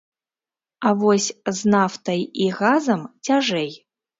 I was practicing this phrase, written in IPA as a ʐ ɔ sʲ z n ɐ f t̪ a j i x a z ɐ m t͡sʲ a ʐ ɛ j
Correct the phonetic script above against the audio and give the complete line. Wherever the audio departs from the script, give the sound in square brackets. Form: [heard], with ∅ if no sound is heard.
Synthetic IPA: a [v] ɔ sʲ z n [a] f t̪ [ɐ] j i [ɣ] a z ɐ m t͡sʲ a ʐ ɛ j